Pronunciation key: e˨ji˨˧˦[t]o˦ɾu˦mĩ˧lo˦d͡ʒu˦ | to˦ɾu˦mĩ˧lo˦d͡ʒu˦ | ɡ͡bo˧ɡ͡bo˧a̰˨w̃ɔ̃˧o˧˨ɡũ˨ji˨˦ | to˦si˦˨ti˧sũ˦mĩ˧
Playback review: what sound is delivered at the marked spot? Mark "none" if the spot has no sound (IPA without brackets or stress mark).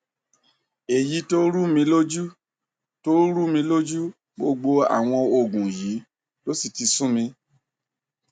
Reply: t